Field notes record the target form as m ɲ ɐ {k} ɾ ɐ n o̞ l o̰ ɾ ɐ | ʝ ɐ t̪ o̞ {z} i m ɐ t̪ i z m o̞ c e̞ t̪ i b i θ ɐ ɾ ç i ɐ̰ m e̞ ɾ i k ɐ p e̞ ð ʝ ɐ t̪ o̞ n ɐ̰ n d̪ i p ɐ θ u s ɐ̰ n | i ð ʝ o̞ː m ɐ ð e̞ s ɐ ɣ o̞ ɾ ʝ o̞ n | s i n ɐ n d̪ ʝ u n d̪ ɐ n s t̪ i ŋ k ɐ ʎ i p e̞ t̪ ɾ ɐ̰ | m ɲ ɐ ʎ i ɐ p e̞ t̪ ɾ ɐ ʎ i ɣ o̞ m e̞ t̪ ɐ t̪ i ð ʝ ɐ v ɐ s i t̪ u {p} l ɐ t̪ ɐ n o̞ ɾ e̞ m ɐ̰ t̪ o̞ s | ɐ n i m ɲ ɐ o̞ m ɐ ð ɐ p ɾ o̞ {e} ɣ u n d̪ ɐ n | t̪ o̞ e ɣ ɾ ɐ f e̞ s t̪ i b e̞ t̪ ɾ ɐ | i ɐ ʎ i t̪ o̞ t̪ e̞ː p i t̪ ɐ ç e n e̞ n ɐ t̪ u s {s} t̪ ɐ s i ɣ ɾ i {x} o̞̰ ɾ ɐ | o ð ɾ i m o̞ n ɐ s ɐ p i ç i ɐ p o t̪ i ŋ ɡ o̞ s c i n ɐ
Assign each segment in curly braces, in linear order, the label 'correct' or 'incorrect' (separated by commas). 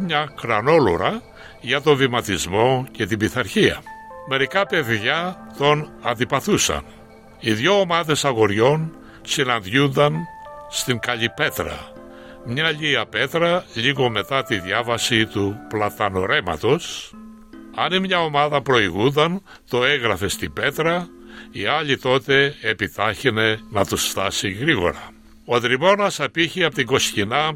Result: correct, incorrect, correct, incorrect, incorrect, incorrect